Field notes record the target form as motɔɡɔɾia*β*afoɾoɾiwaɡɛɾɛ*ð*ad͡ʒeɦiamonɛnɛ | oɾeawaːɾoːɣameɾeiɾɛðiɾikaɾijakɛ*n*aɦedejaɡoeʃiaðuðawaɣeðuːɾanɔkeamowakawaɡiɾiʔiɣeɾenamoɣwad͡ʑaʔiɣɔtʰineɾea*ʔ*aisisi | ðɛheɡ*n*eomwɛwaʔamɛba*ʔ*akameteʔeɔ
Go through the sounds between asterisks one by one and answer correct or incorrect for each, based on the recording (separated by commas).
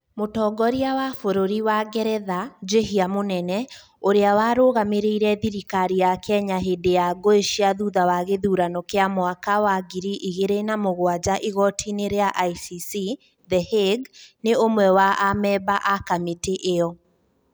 incorrect, correct, incorrect, correct, correct, correct